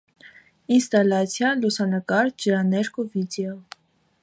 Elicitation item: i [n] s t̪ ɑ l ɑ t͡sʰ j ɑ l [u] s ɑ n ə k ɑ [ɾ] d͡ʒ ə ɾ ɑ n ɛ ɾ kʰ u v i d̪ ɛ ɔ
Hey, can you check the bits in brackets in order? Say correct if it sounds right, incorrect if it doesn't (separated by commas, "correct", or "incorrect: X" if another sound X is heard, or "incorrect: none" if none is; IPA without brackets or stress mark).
correct, correct, correct